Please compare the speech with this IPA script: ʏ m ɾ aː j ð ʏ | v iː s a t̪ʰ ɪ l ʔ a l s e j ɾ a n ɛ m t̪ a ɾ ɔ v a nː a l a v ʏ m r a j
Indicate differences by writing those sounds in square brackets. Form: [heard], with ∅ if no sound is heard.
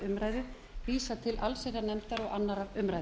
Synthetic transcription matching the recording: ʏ m ɾ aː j ð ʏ | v iː s a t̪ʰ ɪ l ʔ a l s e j ɾ a n ɛ m t̪ a ɾ ɔ [ɣ] a nː a [ɾ] a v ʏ m [ɾ] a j